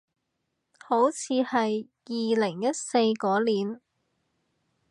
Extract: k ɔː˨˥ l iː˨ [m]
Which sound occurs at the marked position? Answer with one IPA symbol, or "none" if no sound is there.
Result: n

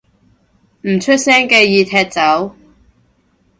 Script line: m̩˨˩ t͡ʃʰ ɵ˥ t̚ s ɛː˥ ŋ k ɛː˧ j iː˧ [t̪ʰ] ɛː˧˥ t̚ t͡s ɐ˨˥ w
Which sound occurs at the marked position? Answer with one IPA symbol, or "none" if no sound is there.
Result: t̪ʰ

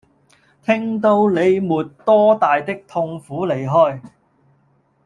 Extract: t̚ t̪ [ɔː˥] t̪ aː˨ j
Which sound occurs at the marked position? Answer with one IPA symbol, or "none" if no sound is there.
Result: ɔː˥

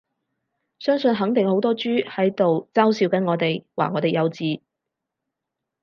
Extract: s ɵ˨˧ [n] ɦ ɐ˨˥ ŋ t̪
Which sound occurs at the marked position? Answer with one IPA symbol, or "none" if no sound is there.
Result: n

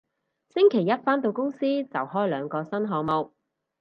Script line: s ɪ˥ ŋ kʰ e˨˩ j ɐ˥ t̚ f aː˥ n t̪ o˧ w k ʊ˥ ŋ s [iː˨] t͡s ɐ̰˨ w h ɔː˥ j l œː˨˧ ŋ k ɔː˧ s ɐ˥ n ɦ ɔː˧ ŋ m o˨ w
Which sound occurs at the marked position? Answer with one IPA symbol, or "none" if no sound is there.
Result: iː˥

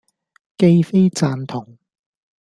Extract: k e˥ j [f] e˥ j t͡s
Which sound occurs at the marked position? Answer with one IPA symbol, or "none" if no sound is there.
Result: f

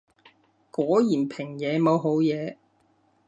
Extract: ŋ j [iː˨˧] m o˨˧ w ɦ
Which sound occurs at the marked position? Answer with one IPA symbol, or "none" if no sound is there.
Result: ɛː˨˧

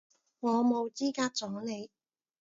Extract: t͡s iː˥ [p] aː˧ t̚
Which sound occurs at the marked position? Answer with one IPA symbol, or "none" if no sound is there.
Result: k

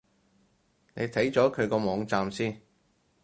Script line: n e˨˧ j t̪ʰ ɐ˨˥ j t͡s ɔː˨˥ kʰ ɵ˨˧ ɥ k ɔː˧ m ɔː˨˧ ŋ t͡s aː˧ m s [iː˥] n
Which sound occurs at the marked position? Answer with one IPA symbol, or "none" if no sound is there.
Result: iː˥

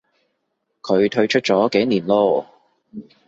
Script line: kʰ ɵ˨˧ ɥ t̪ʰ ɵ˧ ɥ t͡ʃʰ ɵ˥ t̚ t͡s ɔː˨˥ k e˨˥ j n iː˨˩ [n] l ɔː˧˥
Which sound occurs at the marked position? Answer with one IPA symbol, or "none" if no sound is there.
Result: n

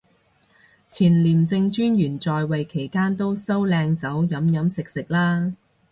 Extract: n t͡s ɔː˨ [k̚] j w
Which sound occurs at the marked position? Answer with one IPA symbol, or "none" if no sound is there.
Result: none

